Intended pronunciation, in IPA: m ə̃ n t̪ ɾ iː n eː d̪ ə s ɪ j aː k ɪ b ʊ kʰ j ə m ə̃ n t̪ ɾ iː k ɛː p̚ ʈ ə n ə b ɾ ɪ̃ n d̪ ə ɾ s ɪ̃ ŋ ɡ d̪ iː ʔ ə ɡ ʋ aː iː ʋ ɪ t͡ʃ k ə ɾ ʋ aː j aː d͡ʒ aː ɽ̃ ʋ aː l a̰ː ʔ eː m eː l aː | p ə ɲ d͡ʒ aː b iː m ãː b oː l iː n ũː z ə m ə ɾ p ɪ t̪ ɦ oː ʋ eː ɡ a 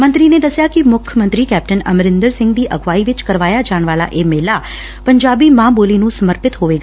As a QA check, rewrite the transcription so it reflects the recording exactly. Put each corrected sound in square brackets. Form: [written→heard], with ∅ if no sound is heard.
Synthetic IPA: m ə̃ n t̪ ɾ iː n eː d̪ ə s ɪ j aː k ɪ [b→m] ʊ kʰ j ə m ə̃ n t̪ ɾ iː k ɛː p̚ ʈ ə n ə [b→m] ɾ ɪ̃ n d̪ ə ɾ s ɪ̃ ŋ ɡ d̪ iː ʔ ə ɡ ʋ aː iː ʋ ɪ t͡ʃ k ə ɾ ʋ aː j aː d͡ʒ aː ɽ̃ ʋ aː l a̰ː ʔ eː m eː l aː | p ə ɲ d͡ʒ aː b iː m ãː b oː l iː n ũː [z→s] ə m ə ɾ p ɪ t̪ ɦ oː ʋ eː ɡ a